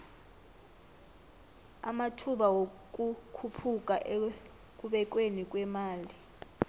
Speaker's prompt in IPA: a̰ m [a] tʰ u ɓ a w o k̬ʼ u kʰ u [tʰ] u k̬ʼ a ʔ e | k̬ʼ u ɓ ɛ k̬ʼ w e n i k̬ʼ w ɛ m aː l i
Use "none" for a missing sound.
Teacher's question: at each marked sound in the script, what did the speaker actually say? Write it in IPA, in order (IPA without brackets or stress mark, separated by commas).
a, pʰ